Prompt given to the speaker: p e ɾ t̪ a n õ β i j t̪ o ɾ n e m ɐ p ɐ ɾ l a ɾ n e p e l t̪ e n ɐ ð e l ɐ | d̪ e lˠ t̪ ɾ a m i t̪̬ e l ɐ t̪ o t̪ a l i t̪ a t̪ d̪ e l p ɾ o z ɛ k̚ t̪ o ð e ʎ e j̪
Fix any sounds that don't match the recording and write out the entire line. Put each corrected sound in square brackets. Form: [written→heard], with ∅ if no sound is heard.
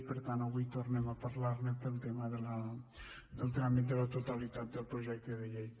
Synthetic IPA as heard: p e ɾ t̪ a n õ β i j t̪ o ɾ n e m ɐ p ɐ ɾ l a ɾ n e p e l t̪ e [n→m] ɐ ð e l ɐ | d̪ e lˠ t̪ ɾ a m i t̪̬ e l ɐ t̪ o t̪ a l i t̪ a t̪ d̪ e l p ɾ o [z→ʒ] ɛ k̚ t̪ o ð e ʎ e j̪

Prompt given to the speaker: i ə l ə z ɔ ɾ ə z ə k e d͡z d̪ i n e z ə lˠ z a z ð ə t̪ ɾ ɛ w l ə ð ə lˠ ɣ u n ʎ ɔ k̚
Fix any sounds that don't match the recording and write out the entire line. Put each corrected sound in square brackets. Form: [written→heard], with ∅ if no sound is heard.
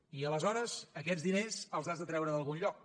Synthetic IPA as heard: i ə l ə z ɔ ɾ ə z ə k [e→ɛ] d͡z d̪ i n e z ə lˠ z a z ð ə t̪ ɾ ɛ w [l→ɾ] ə ð ə lˠ ɣ u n ʎ ɔ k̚

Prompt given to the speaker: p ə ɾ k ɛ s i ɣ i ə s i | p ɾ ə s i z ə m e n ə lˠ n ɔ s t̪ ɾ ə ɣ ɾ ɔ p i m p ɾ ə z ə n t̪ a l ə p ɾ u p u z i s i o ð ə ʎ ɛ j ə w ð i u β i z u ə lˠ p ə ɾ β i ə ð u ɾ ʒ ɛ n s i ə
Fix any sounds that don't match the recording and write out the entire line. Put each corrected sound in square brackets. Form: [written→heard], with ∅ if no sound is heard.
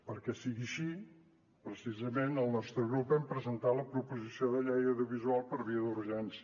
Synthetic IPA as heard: p ə ɾ k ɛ s i ɣ i ə [s→ʃ] i | p ɾ ə s i z ə m e n ə lˠ n ɔ s t̪ ɾ ə ɣ ɾ [ɔ→u] p [i→ɛ] m p ɾ ə z ə n t̪ a l ə p ɾ u p u z i s i o ð ə ʎ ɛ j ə w ð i u β i z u [ə→a] lˠ p ə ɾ β i ə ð u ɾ ʒ ɛ n s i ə

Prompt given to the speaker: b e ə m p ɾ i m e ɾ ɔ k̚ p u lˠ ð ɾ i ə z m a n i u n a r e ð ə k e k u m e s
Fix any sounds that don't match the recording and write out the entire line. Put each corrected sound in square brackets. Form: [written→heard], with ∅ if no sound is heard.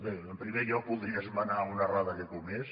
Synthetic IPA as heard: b e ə m p ɾ i m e [ɾ→ʎ] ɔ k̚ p u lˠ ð ɾ i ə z m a n [i→a] u n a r [e→a] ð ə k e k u m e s

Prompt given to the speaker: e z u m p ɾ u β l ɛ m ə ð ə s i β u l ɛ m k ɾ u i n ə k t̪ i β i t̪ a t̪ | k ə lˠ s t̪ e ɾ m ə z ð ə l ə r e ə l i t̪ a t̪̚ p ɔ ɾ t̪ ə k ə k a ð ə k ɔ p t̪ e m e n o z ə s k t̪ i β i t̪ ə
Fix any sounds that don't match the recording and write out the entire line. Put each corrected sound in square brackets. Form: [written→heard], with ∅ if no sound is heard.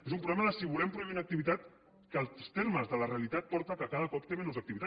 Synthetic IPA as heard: e z u m p ɾ u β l ɛ m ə ð ə s i β u l ɛ m [k→p] ɾ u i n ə k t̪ i β i t̪ a t̪ | k ə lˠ s t̪ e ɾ m ə z ð ə l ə r e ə l i t̪ a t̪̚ p ɔ ɾ t̪ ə k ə k a ð ə k ɔ p t̪ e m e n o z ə [s→∅] k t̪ i β i t̪ [ə→a]

